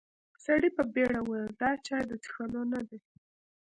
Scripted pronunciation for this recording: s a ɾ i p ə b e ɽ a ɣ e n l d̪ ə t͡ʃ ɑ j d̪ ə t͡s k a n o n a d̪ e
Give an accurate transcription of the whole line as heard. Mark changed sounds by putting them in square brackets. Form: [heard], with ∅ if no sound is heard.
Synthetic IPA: s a [ɽ] i p ə b e ɽ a [w] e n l d̪ [ɑ] t͡ʃ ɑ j d̪ ə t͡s [x] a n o n a d̪ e